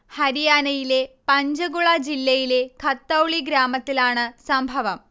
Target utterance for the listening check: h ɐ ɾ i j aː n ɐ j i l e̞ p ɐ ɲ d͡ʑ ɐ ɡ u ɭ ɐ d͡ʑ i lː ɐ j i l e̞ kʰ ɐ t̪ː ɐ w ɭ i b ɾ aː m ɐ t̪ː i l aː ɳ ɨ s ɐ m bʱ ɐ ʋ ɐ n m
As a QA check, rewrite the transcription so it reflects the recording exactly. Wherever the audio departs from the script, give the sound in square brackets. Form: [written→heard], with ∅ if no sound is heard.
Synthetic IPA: h ɐ ɾ i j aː n ɐ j i l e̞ p ɐ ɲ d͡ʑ ɐ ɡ u ɭ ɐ d͡ʑ i lː ɐ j i l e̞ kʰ ɐ t̪ː ɐ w ɭ i [b→ɡ] ɾ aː m ɐ t̪ː i l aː ɳ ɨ s ɐ m bʱ ɐ ʋ ɐ [n→∅] m

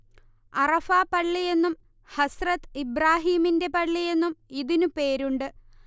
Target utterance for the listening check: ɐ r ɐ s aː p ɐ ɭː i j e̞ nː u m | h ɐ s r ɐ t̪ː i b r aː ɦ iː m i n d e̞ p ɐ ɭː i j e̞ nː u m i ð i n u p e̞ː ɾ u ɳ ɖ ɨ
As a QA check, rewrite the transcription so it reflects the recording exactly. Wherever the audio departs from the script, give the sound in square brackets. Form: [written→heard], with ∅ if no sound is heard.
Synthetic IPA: ɐ r ɐ [s→f] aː p ɐ ɭː i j e̞ nː u m | h ɐ s r ɐ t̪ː i b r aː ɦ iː m i n d e̞ p ɐ ɭː i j e̞ nː u m i ð i n u p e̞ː ɾ u ɳ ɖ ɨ

